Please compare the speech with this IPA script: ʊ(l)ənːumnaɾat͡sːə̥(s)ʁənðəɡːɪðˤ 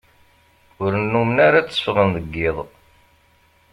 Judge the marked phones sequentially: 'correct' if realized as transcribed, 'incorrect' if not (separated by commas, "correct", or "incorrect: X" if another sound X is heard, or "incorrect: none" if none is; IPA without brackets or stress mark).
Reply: incorrect: ɾ, incorrect: f